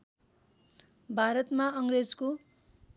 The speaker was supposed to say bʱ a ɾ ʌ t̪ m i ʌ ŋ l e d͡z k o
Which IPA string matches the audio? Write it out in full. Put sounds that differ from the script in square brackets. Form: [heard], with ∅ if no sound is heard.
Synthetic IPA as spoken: bʱ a ɾ ʌ t̪ m [a] ʌ ŋ [r] e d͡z k o